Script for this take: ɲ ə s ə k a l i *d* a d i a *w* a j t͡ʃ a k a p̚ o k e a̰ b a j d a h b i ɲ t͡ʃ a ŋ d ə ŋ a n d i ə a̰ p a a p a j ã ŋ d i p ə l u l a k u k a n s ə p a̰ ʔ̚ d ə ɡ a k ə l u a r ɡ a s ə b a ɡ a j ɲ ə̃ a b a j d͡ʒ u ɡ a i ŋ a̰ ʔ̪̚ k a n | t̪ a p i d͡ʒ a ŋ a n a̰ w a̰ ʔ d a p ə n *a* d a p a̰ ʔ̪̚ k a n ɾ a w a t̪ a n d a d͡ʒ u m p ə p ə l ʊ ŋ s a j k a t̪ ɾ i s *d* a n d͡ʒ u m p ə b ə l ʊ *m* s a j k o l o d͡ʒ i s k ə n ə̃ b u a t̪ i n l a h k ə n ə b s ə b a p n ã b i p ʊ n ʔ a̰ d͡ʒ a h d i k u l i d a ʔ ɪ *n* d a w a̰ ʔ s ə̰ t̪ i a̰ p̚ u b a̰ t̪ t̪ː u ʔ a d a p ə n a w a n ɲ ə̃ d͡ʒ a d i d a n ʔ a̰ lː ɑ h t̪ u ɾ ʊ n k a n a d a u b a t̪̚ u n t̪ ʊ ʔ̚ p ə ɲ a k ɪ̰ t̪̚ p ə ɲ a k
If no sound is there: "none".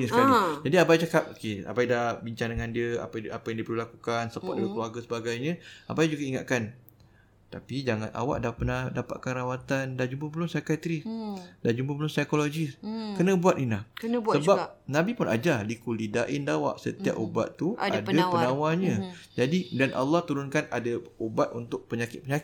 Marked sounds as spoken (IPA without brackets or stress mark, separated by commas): d͡ʒ, b, a, d, n, n